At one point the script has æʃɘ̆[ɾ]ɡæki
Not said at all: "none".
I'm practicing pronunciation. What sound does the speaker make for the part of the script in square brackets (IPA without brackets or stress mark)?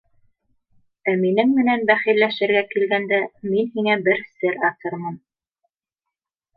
ɾ